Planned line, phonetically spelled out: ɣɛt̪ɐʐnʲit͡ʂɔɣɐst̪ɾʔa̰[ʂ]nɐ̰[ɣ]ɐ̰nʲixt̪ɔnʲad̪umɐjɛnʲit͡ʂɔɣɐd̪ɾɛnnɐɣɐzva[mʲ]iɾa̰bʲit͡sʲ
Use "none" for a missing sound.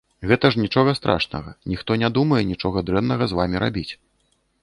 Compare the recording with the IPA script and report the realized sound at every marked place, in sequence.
ʂ, ɣ, mʲ

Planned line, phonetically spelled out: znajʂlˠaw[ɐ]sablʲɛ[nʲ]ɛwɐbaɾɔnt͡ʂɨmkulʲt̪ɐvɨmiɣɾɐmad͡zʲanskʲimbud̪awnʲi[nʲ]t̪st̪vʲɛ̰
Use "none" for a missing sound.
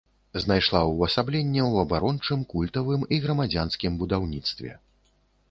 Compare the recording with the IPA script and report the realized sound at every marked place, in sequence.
ɐ, nʲː, none

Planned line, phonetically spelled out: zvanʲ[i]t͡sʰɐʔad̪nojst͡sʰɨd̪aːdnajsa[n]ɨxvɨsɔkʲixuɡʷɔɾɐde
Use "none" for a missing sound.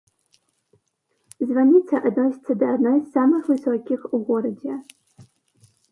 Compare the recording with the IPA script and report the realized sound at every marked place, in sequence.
i, m

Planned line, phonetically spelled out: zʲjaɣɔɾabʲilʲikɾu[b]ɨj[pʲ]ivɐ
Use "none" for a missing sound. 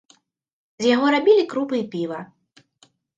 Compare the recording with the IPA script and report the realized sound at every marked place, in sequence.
p, pʲ

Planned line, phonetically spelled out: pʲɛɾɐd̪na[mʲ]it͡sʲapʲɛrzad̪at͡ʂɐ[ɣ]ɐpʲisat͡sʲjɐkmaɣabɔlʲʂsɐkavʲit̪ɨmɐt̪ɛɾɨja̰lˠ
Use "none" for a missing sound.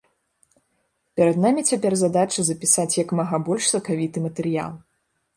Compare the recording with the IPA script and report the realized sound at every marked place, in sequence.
mʲ, z

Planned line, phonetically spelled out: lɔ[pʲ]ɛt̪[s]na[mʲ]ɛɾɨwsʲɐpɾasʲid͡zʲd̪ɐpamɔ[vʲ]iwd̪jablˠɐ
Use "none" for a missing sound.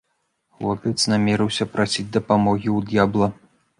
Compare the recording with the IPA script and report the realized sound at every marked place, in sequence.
pʲ, s, mʲ, ɣʲ

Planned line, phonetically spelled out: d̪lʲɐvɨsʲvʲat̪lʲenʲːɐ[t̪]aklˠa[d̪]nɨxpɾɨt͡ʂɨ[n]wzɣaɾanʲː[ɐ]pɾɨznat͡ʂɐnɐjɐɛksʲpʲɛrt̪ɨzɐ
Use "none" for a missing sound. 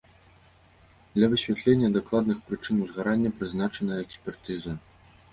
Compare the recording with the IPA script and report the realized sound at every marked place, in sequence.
d̪, d̪, n, ɐ

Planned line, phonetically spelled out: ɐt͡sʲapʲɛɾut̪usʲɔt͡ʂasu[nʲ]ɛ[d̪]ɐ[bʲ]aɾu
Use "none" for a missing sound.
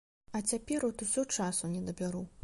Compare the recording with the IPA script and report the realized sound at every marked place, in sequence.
nʲ, d̪, bʲ

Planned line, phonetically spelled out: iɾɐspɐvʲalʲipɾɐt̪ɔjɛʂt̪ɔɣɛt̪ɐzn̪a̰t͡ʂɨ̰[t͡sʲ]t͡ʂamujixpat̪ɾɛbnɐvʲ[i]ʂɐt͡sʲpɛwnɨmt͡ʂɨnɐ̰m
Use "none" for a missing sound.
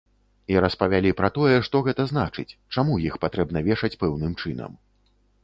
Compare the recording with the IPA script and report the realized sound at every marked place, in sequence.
t͡sʲ, ɛ

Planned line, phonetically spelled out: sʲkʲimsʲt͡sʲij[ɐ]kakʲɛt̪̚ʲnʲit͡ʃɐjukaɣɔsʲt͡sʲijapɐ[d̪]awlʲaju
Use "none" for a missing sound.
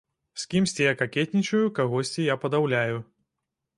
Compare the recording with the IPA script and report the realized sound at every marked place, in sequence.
a, d̪

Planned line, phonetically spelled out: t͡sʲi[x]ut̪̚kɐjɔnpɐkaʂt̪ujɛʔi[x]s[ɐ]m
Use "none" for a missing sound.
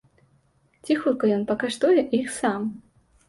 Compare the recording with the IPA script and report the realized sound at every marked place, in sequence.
x, x, a

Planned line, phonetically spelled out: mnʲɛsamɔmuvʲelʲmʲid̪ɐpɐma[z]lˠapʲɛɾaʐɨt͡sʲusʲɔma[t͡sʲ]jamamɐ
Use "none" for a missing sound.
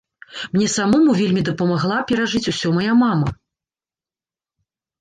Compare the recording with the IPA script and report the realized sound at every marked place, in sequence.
ɣ, none

